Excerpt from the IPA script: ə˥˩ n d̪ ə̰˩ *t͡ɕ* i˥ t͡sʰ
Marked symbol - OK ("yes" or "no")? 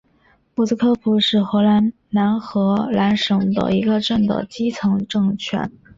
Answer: yes